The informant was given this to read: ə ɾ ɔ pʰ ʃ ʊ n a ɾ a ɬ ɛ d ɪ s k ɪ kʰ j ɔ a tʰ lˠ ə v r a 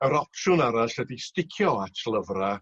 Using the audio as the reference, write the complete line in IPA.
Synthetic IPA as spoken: ə ɾ ɔ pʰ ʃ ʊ n a ɾ a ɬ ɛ d i s t ɪ kʰ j ɔ a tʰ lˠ ə v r a